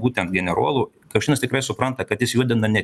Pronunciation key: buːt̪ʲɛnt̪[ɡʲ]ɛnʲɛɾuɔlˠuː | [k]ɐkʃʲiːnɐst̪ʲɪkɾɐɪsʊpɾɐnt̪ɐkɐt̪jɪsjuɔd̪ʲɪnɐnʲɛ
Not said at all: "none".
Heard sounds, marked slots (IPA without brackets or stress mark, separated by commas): ɡʲ, k